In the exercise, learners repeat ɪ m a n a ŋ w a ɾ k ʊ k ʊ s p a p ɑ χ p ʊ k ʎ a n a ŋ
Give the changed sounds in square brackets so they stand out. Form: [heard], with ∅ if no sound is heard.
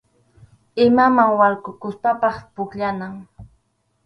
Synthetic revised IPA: ɪ m a [m] a ŋ w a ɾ k ʊ k ʊ s p a p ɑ χ p ʊ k ʎ a n a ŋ